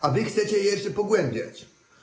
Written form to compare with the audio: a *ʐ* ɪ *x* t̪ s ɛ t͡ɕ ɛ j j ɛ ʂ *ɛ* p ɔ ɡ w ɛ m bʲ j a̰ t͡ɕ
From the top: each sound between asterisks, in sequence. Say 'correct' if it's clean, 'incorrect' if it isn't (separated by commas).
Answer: incorrect, correct, correct